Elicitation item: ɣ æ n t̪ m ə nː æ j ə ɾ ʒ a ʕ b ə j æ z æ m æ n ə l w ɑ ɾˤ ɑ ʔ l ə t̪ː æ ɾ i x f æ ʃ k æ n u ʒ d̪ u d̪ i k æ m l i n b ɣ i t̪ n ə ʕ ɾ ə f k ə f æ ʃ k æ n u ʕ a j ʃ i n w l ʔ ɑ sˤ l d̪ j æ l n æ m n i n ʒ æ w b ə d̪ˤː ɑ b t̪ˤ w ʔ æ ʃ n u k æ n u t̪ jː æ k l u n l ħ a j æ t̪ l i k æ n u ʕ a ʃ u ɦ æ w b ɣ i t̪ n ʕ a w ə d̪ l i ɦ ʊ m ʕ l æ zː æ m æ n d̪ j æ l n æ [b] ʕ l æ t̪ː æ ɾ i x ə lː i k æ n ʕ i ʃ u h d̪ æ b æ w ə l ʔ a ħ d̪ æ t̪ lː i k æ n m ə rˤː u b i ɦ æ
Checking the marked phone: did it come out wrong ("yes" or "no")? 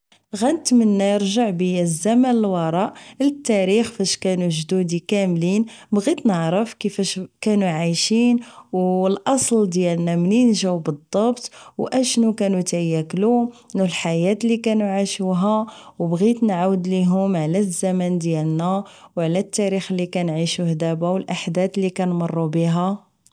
yes